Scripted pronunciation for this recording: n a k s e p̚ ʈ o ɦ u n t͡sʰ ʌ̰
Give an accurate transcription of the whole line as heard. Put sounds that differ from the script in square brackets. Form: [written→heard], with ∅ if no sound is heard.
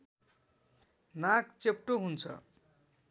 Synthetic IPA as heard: n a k [s→t͡s] e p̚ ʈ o ɦ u n t͡sʰ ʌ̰